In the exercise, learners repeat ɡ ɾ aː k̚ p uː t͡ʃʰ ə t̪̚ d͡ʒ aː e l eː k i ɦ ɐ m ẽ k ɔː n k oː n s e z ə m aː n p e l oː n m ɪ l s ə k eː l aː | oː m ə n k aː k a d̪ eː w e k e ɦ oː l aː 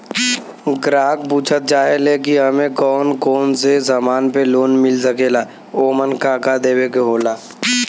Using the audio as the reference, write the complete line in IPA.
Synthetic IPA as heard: ɡ ɾ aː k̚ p uː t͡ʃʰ ə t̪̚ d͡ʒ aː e l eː k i ɦ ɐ m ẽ k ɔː n k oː n s e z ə m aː n p e l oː n m ɪ l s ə k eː l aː | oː m ə n k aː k a d̪ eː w e k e ɦ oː l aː